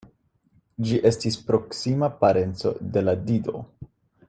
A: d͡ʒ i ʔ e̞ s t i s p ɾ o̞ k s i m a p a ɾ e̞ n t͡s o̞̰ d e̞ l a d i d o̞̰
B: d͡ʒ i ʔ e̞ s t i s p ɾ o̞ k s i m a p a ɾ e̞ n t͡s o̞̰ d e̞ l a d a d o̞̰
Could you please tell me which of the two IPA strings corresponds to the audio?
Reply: A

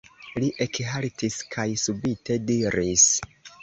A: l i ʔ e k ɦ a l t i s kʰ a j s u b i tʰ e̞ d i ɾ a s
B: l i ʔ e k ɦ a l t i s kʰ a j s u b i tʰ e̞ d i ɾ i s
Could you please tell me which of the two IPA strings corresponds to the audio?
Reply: B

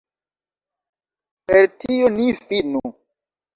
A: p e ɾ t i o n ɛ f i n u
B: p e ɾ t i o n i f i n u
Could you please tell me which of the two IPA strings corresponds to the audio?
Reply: B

